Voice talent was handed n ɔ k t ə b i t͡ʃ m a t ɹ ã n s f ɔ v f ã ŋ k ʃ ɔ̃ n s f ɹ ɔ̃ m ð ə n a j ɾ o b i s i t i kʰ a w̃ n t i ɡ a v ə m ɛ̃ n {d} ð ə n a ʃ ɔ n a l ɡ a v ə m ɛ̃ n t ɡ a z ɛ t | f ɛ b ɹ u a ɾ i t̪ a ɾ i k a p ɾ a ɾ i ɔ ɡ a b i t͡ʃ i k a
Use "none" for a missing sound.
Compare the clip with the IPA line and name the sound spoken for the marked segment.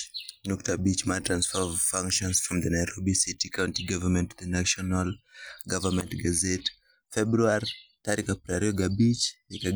t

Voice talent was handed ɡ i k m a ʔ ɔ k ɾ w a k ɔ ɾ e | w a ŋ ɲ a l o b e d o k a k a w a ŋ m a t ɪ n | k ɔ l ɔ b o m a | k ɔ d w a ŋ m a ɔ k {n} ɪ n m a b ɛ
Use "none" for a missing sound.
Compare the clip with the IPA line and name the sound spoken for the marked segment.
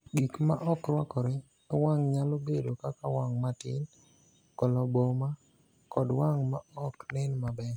n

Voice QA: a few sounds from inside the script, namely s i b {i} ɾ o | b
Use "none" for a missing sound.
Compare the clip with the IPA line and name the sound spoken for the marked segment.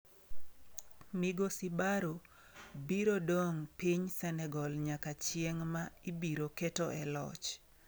a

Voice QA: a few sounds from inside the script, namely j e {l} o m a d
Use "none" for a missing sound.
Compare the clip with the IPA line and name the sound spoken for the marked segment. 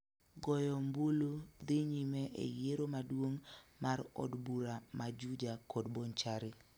ɾ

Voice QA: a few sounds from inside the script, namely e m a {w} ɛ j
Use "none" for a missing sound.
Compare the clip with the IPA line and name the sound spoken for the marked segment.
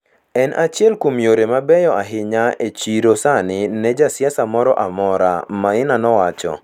b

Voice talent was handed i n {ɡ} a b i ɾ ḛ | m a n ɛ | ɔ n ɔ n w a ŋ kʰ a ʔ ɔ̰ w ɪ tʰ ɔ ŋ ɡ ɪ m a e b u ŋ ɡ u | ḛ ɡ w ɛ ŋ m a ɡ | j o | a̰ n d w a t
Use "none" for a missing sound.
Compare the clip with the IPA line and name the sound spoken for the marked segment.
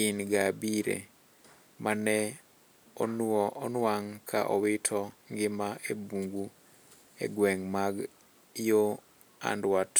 ɡ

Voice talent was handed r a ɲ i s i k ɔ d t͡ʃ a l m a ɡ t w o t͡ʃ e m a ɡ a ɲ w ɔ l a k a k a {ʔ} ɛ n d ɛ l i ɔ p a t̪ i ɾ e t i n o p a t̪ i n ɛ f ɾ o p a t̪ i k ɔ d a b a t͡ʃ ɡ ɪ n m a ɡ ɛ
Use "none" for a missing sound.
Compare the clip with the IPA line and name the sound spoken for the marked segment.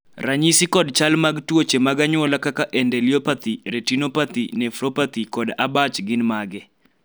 ʔ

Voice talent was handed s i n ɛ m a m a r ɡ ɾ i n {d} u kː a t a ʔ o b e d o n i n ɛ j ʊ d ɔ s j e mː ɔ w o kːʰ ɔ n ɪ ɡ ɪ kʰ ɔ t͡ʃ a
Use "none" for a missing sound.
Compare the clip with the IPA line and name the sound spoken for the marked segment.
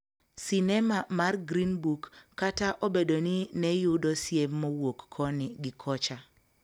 b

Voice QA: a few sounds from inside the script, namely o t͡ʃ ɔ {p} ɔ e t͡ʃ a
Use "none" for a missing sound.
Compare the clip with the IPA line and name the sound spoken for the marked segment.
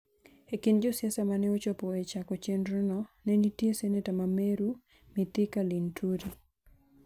p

